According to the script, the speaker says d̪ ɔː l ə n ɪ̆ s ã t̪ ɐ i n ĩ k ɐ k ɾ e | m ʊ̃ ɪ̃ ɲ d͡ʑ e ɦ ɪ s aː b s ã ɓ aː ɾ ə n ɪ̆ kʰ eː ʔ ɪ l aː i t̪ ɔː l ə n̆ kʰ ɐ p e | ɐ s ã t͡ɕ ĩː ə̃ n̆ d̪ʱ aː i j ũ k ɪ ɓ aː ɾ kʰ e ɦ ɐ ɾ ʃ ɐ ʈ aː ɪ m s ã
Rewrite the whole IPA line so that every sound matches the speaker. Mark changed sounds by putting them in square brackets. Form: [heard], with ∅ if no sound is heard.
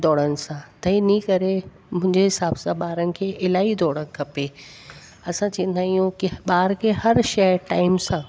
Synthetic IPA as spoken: d̪ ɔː [ɽ] ə n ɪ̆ s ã t̪ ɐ i n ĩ k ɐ [∅] ɾ e | m ʊ̃ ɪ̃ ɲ d͡ʑ e ɦ ɪ s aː b s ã ɓ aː ɾ ə n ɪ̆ kʰ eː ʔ ɪ l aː i [d̪] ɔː [ɽ] ə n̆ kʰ ɐ p e | ɐ s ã t͡ɕ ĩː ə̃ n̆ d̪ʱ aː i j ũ k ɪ ɓ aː ɾ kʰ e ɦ ɐ ɾ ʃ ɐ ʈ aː ɪ m s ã